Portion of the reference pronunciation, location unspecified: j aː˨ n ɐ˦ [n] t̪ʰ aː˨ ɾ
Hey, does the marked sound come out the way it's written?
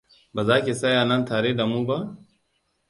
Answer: yes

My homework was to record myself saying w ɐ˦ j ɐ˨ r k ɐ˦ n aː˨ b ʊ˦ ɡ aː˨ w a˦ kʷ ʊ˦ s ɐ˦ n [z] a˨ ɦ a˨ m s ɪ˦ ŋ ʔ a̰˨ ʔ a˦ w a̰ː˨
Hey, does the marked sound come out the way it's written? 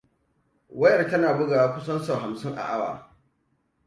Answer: no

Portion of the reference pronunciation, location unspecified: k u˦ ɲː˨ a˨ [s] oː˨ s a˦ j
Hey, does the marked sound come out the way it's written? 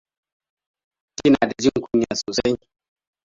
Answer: yes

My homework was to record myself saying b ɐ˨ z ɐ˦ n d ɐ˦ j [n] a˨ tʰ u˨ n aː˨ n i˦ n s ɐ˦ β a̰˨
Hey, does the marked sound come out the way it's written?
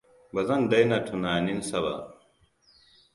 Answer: yes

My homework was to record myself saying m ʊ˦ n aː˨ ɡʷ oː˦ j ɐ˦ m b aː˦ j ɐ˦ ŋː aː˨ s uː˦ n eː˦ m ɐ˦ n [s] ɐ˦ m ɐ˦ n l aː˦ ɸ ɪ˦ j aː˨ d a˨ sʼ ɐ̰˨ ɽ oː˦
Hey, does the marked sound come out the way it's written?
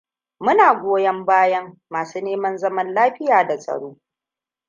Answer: no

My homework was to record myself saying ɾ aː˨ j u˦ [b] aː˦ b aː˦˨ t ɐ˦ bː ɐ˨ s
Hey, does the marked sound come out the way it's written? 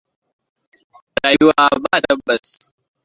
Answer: no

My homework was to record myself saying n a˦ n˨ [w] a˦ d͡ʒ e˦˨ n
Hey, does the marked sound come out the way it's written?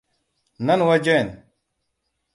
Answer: yes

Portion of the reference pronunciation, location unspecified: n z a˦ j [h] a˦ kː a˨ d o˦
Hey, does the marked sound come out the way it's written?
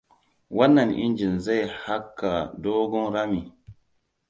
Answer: yes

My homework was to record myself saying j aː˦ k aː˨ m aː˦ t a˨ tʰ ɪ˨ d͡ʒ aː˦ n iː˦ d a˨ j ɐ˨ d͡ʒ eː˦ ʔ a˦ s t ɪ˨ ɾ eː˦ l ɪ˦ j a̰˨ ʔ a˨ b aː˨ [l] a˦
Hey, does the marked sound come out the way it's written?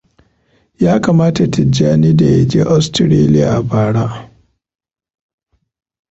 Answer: no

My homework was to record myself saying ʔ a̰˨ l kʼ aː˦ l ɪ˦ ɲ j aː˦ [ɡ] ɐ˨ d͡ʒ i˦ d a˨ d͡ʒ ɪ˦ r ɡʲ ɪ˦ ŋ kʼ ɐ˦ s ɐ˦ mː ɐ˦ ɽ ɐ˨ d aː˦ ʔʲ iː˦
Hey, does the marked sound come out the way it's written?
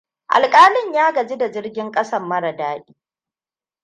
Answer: yes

